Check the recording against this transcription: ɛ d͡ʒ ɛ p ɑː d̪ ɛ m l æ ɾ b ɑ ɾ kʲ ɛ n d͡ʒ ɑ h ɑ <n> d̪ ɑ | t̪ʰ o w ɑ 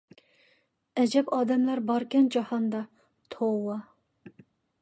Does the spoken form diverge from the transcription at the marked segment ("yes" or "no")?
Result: no